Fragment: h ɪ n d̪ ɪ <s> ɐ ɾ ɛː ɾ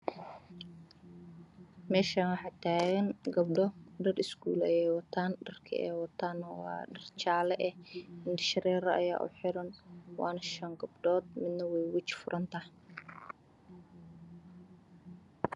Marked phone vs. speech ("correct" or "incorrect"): incorrect